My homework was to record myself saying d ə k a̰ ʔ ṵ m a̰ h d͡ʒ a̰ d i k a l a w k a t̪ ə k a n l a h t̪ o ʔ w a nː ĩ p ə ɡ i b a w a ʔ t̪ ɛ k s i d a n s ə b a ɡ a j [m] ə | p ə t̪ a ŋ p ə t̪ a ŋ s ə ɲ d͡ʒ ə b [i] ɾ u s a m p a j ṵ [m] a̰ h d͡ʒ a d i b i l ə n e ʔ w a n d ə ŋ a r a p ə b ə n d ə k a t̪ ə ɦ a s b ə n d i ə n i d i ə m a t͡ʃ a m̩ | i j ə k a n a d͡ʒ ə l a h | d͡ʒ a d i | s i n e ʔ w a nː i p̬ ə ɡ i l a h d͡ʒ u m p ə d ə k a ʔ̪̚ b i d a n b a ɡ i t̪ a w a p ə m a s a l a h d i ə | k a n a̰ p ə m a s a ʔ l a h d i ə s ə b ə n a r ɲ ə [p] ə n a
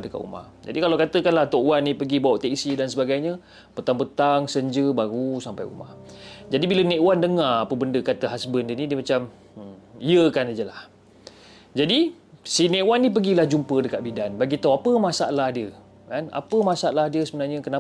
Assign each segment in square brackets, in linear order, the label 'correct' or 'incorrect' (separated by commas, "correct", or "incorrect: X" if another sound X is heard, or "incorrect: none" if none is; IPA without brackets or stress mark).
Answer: incorrect: ɲ, incorrect: a, correct, incorrect: k